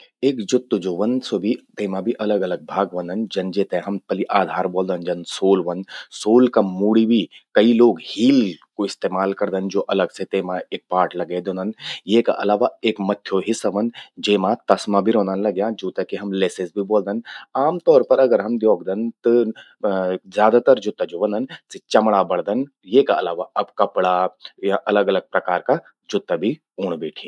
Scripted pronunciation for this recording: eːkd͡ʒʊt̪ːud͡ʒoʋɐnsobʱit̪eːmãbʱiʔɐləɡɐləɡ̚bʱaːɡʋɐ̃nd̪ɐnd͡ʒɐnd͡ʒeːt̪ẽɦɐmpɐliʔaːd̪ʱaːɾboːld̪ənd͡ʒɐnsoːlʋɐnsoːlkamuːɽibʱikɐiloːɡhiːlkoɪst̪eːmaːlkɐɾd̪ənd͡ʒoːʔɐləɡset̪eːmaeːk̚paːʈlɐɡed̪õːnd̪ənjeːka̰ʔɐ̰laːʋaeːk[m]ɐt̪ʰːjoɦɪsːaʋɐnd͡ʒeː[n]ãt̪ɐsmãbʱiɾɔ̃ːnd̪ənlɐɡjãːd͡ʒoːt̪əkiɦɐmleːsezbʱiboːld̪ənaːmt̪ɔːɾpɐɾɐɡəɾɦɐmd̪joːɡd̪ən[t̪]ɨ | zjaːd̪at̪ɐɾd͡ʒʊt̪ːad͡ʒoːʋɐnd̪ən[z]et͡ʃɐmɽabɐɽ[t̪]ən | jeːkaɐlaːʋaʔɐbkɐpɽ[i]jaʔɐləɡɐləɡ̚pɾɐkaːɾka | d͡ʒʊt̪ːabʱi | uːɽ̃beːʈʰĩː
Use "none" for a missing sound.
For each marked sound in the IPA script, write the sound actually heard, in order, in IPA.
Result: m, m, t̪, s, d̪, a

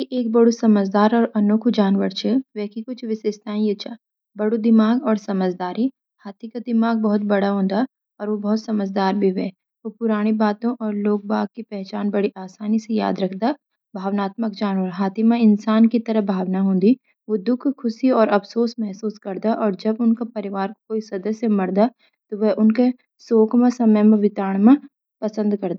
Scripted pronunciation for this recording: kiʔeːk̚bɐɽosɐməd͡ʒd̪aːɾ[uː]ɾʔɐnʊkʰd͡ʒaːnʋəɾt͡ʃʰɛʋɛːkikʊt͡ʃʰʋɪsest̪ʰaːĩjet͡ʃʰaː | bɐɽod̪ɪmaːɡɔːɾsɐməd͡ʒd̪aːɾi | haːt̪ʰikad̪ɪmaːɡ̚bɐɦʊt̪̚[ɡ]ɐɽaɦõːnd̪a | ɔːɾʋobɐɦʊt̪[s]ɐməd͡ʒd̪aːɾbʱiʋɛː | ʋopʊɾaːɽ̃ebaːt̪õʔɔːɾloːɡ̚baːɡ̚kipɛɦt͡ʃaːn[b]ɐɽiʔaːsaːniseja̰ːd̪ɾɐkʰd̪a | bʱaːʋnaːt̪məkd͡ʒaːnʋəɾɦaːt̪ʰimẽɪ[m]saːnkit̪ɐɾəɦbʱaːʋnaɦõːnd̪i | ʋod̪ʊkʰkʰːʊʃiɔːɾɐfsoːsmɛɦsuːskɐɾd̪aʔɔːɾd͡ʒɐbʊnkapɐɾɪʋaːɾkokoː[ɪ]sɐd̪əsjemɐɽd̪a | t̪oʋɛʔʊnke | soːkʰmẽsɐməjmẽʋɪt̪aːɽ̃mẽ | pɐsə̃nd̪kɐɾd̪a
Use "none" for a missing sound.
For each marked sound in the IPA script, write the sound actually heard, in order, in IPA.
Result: ɔː, b, s, b, n, i

